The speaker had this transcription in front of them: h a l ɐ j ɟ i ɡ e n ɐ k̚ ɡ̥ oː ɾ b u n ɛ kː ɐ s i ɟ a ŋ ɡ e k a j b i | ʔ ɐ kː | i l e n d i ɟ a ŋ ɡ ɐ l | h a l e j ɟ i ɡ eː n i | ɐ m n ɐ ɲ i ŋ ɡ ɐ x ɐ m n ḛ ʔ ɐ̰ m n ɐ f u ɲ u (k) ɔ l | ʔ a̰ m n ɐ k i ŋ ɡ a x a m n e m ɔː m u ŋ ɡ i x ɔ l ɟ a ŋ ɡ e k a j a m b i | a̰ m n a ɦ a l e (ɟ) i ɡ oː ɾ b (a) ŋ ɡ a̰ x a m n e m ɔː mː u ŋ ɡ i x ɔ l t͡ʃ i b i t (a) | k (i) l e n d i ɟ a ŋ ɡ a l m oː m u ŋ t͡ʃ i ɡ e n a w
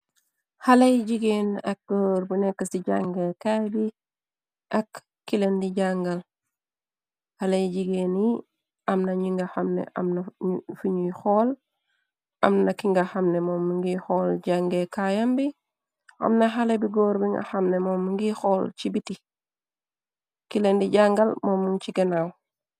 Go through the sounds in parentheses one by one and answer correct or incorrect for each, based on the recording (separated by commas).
incorrect, incorrect, incorrect, incorrect, correct